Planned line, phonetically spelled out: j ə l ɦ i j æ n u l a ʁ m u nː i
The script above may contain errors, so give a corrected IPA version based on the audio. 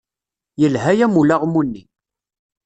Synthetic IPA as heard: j ə l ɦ æ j æ m u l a ʁ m u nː i